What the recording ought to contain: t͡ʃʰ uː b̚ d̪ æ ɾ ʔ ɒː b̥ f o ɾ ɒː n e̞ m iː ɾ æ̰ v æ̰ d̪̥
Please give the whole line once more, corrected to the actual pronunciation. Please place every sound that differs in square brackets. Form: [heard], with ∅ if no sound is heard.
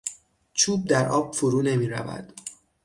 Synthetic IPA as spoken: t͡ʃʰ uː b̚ d̪ æ ɾ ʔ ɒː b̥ f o ɾ [uː] n e̞ m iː ɾ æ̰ v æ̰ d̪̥